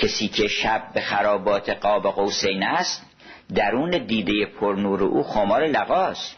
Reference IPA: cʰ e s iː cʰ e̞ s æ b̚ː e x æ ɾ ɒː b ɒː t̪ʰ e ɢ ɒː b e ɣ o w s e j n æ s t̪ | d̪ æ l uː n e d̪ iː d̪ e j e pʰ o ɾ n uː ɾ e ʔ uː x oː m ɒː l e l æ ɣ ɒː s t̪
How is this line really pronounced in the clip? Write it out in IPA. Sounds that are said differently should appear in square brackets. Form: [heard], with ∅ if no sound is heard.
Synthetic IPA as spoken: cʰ e s iː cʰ e̞ [ʃ] æ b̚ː e x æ ɾ ɒː b ɒː t̪ʰ e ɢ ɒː b e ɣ o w s e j n æ s t̪ | d̪ æ [ɾ] uː n e d̪ iː d̪ e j e pʰ o ɾ n uː ɾ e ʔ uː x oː m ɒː [ɾ] e l æ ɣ ɒː s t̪